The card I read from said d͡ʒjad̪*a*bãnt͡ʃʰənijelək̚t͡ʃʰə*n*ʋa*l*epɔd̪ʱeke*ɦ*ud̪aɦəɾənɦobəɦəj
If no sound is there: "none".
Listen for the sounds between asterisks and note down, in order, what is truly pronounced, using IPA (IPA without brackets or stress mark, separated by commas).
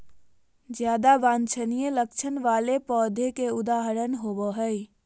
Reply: a, n, l, none